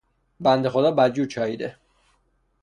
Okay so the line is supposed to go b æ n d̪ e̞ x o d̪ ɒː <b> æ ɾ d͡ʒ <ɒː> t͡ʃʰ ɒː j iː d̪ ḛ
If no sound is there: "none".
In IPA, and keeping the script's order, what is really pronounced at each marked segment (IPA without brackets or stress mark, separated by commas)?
b, uː